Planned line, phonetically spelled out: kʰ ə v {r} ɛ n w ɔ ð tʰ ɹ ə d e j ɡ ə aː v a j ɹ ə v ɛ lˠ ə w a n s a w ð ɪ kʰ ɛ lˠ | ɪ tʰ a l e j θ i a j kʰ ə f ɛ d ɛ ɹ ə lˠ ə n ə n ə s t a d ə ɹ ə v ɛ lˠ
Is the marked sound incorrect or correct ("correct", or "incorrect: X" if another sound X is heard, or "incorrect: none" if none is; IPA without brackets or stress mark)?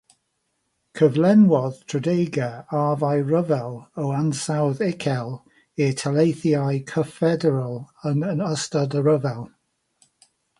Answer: incorrect: l